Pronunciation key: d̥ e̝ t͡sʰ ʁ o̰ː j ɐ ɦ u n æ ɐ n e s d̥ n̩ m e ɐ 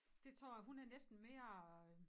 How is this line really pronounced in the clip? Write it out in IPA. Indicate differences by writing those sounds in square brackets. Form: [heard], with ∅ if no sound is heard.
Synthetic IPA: d̥ e̝ t͡sʰ ʁ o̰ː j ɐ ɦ u n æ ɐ n e s d̥ n̩ m e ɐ